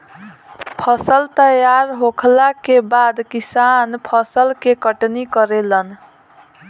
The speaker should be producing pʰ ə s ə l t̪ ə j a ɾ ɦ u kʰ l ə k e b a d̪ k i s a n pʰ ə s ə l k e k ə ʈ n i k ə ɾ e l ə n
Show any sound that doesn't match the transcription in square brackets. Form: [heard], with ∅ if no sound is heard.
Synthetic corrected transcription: pʰ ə s ə l t̪ ə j a ɾ ɦ [o] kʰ l [a] k e b a d̪ k i s a n pʰ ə s ə l k e k ə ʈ n i k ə ɾ e l ə n